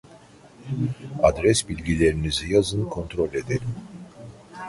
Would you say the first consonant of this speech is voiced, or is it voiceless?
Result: voiced